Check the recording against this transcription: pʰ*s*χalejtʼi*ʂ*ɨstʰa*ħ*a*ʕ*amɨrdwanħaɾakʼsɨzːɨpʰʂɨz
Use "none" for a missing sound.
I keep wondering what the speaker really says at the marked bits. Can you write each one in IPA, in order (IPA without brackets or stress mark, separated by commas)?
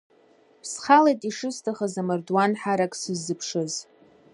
s, ʂ, χ, z